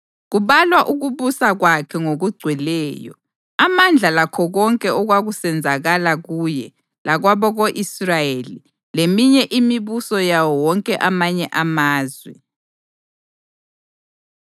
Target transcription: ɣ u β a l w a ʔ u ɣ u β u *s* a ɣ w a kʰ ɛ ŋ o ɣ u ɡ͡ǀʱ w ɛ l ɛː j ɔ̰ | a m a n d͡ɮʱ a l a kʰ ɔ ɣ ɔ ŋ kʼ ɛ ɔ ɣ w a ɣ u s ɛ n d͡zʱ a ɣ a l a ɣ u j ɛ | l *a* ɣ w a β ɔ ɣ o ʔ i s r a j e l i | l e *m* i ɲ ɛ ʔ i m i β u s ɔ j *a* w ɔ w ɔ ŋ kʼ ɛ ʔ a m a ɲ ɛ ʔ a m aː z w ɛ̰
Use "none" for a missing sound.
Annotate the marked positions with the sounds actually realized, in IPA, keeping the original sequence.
s, a, m, a

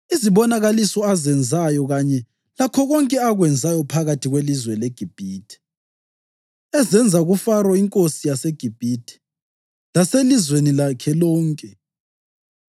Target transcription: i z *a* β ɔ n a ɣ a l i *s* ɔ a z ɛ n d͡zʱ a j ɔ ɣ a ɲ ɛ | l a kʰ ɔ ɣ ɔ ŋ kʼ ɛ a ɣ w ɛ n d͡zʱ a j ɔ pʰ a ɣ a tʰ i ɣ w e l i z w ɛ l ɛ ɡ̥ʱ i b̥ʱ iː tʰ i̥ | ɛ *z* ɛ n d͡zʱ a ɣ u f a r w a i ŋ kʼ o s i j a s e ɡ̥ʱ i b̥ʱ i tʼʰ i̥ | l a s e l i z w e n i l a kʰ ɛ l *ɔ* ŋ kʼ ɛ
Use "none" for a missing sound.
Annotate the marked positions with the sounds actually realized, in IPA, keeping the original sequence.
i, s, z, ɔː

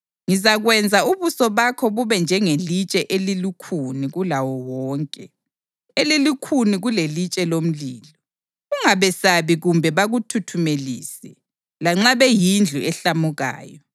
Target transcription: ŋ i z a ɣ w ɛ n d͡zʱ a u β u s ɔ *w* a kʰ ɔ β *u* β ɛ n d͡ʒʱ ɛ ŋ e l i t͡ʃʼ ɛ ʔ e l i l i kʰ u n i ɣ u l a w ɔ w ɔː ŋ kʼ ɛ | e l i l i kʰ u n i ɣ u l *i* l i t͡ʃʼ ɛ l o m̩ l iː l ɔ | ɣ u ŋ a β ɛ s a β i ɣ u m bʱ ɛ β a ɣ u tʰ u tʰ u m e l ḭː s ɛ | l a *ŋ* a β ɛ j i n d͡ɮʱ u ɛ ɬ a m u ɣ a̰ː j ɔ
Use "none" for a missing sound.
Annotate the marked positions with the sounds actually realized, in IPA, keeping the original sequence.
β, u, e, ŋ͡ǁ

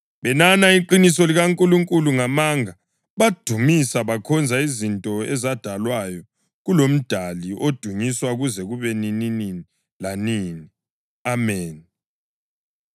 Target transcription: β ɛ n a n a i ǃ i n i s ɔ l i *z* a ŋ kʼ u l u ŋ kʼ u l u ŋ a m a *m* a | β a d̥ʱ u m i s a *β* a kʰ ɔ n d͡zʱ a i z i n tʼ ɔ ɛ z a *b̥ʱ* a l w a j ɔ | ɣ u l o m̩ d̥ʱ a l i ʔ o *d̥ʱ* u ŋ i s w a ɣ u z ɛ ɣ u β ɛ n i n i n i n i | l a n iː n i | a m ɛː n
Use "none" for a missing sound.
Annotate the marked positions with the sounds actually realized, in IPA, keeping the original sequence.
ɣ, ŋ, β, d̥ʱ, d̥ʱ

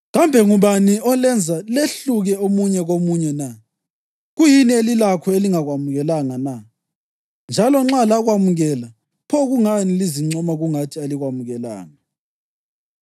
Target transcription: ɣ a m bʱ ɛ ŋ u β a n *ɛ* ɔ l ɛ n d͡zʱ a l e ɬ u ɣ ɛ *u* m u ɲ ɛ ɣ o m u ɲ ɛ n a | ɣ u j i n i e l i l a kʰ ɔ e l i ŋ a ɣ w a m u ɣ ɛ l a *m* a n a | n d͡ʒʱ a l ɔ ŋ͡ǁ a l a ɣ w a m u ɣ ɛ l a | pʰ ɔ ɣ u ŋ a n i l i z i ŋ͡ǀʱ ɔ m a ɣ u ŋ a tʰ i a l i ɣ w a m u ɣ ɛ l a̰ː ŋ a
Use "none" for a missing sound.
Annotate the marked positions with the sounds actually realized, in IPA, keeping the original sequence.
i, o, ŋ

